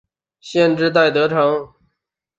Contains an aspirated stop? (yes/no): yes